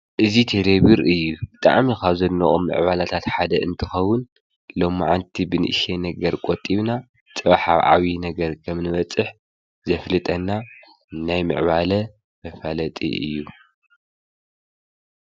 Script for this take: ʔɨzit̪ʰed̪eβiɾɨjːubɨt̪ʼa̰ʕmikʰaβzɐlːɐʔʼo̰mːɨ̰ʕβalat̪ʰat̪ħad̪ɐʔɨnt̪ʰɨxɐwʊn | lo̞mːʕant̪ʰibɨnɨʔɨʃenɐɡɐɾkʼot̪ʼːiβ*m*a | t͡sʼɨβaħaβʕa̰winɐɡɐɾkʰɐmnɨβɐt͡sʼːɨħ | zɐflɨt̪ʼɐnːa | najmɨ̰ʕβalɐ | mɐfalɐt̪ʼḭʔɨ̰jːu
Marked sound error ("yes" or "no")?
yes